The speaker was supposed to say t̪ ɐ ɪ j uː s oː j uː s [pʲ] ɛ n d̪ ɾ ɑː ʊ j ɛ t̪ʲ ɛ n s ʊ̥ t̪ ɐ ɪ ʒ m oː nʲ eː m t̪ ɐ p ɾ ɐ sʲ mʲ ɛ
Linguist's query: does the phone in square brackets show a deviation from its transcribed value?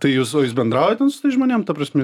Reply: yes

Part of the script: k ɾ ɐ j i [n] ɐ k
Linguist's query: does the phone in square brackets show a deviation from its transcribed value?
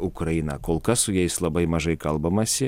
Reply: no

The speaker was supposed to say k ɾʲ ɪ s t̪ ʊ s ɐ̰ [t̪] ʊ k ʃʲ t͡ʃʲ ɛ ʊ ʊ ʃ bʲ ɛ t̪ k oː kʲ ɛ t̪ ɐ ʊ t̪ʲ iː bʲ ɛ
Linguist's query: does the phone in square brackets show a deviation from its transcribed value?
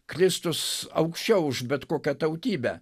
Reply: yes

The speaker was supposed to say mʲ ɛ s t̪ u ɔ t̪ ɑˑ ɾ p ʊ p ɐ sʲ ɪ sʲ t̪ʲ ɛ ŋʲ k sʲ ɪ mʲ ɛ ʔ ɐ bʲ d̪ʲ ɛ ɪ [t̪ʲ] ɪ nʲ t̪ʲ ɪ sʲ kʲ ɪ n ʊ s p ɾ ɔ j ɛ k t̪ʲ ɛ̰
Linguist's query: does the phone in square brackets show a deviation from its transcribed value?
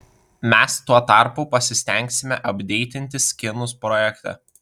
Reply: no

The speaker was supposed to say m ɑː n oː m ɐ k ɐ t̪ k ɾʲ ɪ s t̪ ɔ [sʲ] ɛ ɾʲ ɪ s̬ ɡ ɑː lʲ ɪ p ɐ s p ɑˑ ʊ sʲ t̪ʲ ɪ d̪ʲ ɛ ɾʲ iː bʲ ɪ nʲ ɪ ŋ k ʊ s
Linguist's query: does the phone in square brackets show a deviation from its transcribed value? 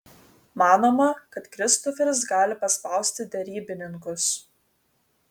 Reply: yes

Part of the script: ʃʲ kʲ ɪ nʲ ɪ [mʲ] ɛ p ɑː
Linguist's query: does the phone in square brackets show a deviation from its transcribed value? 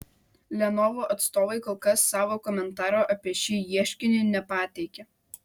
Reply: yes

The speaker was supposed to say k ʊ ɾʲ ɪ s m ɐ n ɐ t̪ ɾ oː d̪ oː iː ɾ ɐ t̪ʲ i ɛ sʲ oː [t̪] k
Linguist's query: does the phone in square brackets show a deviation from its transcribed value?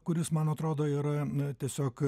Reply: yes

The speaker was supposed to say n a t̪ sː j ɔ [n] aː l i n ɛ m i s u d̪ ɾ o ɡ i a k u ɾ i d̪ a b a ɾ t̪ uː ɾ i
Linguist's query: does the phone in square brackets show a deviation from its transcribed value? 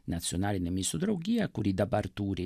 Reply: no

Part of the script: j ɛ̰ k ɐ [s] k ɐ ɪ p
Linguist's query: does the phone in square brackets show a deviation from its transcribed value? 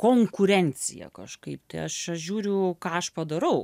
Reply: yes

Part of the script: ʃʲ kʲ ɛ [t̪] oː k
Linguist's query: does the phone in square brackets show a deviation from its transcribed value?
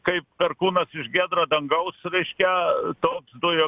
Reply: no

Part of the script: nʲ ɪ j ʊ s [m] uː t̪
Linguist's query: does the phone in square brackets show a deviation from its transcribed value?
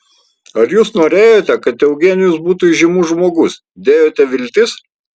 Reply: yes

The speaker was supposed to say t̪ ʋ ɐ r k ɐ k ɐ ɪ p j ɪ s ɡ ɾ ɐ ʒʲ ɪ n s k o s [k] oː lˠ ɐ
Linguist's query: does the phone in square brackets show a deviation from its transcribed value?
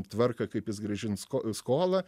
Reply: no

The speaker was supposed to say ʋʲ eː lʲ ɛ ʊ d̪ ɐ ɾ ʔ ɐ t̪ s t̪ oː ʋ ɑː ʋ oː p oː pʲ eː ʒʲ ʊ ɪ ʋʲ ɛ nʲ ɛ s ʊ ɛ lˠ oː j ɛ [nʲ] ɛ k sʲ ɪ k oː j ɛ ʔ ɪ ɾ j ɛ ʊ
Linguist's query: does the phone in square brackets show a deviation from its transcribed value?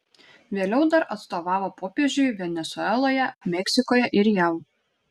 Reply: yes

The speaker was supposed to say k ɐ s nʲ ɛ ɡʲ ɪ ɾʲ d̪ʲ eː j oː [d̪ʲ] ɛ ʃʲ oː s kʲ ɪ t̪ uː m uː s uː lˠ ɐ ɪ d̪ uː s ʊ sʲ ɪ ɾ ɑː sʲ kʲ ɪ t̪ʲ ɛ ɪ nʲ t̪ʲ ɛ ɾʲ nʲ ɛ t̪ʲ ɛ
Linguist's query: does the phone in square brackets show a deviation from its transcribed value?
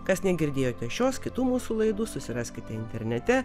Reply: yes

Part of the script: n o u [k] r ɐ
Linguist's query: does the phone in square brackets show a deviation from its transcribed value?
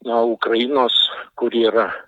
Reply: no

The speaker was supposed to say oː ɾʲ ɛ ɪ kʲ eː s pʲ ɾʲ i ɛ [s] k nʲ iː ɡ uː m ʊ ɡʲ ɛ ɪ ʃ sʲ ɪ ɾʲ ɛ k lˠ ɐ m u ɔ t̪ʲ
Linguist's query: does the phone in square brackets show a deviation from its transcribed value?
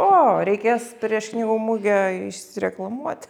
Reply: yes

